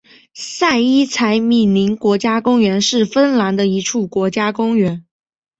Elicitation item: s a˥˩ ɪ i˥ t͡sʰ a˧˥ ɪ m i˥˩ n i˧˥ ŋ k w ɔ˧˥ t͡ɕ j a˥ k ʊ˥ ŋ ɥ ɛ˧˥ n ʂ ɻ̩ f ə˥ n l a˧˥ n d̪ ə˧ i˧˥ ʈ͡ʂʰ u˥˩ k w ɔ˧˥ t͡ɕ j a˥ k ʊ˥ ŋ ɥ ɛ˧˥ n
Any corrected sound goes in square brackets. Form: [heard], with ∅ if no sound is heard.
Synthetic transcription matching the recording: s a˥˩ ɪ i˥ t͡sʰ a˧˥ ɪ m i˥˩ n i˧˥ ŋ k w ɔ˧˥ t͡ɕ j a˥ k ʊ˥ ŋ ɥ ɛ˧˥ n ʂ ɻ̩ f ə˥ n l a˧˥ n d̪ ə˧ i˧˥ ʈ͡ʂʰ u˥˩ k w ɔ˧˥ t͡ɕ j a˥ k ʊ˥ ŋ ɥ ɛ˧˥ n

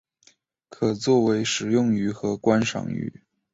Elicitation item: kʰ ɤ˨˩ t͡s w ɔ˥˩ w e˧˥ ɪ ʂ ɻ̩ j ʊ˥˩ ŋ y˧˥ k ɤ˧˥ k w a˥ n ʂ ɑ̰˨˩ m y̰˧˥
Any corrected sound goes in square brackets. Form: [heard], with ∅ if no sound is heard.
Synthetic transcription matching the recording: kʰ ɤ˨˩ t͡s w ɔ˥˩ w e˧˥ ɪ ʂ ɻ̩ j ʊ˥˩ ŋ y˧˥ [x] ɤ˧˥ k w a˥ n ʂ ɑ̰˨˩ [ŋ] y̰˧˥

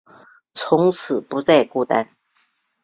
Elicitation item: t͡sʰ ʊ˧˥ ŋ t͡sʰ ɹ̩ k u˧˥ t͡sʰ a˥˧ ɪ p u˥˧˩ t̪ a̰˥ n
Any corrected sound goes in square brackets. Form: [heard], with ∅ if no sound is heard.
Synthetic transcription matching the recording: t͡sʰ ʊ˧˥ ŋ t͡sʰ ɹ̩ [p] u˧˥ [t͡s] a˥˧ ɪ [k] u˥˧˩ t̪ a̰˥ n

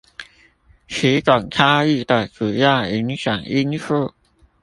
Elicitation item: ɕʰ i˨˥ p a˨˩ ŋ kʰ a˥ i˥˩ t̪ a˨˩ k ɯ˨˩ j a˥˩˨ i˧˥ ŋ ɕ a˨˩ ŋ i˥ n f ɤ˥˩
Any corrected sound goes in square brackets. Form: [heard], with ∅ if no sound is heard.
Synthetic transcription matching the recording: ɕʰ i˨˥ [k] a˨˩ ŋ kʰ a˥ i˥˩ t̪ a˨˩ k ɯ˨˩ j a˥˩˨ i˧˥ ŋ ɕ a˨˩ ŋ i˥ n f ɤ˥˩

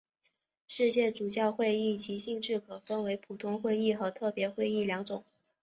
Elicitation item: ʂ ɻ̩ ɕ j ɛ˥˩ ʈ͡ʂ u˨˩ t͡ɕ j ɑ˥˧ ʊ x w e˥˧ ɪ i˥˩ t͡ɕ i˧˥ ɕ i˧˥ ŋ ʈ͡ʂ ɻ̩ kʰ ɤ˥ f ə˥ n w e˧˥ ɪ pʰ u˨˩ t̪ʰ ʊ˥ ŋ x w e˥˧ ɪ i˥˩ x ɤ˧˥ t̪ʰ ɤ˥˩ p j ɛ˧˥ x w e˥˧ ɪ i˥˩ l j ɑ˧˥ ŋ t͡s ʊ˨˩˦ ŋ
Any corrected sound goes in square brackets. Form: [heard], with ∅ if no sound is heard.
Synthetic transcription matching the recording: ʂ ɻ̩ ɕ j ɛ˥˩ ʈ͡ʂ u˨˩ t͡ɕ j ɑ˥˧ ʊ x w e˥˧ ɪ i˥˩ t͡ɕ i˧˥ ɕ [i˥˧] ŋ ʈ͡ʂ ɻ̩ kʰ [ɤ˨˩] f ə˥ n w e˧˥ ɪ pʰ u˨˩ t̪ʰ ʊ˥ ŋ x w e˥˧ ɪ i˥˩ x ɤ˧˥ t̪ʰ ɤ˥˩ p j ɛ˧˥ x w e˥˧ ɪ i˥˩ l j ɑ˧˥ ŋ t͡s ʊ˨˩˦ ŋ

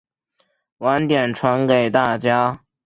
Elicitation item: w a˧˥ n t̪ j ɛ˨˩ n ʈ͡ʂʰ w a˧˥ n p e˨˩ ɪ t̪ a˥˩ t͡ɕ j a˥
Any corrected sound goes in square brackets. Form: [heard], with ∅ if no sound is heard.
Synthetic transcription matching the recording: w a˧˥ n t̪ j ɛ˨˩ n ʈ͡ʂʰ w a˧˥ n [k] e˨˩ ɪ t̪ a˥˩ t͡ɕ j a˥

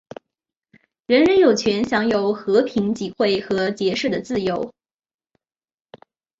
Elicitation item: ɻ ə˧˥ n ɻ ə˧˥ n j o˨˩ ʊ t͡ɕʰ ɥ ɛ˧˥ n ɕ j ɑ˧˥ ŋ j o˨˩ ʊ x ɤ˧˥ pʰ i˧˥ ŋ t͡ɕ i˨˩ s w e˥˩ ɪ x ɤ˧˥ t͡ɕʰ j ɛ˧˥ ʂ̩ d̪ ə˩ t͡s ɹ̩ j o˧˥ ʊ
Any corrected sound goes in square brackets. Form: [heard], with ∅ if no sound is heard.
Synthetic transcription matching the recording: ɻ ə˧˥ n ɻ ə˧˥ n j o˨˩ ʊ t͡ɕʰ ɥ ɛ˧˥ n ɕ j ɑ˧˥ ŋ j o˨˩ ʊ x ɤ˧˥ pʰ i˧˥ ŋ t͡ɕ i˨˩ [x] w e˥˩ ɪ x ɤ˧˥ [t͡ɕ] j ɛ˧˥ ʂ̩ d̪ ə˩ t͡s ɹ̩ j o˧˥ ʊ

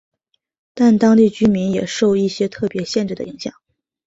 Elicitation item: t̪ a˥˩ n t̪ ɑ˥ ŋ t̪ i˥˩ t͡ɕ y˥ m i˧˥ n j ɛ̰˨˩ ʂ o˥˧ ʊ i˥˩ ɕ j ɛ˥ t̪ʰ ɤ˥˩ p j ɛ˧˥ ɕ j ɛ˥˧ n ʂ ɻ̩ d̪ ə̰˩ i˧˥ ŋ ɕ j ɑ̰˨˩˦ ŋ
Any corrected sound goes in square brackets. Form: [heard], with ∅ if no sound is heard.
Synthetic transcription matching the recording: t̪ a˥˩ n t̪ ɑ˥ ŋ t̪ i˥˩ t͡ɕ y˥ m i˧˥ n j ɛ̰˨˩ ʂ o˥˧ ʊ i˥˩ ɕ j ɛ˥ t̪ʰ ɤ˥˩ p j ɛ˧˥ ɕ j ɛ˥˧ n [ʈ͡ʂ] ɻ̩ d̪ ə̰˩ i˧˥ ŋ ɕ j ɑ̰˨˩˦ ŋ

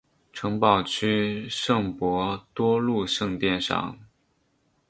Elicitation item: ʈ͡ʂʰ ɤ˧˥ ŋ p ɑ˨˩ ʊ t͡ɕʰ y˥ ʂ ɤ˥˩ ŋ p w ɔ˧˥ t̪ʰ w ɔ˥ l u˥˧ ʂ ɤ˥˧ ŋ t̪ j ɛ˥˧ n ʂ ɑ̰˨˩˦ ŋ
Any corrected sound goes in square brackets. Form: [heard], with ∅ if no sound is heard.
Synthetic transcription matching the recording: ʈ͡ʂʰ ɤ˧˥ ŋ p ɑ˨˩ ʊ t͡ɕʰ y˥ ʂ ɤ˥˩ ŋ p w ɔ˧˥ [t̪] w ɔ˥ l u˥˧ ʂ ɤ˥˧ ŋ t̪ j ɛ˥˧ n ʂ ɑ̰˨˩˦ ŋ

